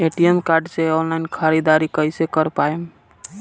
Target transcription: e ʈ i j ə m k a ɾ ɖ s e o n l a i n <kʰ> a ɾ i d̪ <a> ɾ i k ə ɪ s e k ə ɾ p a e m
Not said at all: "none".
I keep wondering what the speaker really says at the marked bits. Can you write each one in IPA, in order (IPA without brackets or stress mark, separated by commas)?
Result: kʰ, a